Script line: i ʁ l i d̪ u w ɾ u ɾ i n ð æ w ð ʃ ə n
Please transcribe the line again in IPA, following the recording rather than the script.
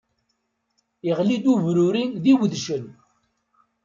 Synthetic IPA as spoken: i ʁ l i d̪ u v ɾ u ɾ i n ð i w ð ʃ ə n